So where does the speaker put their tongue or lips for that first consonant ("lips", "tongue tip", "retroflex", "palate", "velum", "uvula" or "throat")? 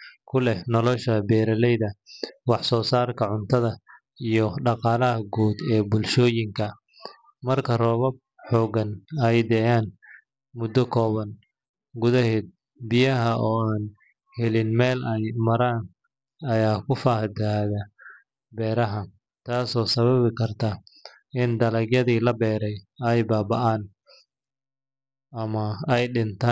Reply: velum